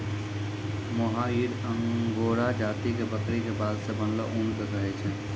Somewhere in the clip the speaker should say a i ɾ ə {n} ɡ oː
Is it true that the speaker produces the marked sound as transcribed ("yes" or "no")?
no